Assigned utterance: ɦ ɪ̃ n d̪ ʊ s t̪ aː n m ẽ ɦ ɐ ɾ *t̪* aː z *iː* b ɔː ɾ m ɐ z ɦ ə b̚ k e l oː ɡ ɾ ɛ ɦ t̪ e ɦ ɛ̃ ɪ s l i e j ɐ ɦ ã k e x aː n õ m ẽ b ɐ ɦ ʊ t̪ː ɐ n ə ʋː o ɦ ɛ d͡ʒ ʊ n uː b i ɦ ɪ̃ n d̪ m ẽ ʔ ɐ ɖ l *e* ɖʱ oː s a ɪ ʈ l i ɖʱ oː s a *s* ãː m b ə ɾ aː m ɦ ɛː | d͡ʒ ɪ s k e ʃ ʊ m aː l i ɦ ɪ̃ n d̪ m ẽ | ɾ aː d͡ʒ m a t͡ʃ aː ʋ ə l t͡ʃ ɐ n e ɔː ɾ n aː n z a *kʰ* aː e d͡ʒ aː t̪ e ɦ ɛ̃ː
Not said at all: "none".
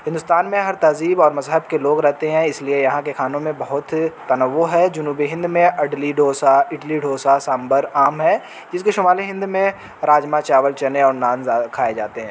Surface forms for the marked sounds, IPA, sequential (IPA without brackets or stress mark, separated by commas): t̪, iː, i, s, kʰ